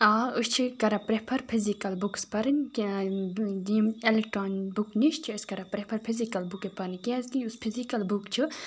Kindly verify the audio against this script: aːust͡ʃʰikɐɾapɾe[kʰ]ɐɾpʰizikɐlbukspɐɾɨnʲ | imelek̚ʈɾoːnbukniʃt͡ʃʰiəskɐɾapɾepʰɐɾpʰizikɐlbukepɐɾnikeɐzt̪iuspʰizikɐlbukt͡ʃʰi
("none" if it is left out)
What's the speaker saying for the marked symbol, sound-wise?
pʰ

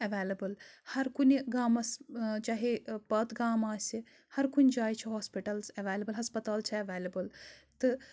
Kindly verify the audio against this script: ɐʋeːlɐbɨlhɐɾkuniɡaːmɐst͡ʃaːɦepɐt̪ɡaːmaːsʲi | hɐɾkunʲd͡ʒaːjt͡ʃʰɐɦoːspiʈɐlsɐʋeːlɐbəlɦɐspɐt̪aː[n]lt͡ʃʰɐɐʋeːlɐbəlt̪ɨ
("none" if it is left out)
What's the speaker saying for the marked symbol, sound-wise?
none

